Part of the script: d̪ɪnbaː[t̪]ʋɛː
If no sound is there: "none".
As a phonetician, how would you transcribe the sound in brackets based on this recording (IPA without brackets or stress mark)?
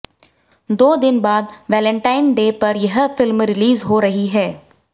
d̪